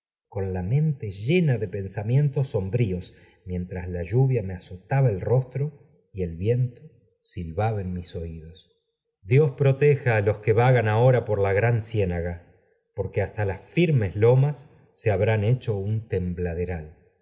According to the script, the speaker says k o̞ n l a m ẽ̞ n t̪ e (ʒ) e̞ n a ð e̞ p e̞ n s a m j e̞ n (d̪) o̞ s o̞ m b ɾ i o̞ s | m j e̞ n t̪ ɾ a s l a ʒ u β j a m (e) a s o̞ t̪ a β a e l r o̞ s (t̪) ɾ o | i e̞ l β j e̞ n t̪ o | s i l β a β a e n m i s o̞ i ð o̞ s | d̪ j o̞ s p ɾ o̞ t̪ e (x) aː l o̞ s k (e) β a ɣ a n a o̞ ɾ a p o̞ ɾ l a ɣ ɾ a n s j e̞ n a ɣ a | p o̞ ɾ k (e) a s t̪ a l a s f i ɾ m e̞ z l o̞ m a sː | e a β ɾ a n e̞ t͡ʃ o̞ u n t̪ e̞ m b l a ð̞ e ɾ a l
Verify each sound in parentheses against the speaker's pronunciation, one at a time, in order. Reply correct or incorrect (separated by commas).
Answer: correct, incorrect, correct, correct, correct, correct, correct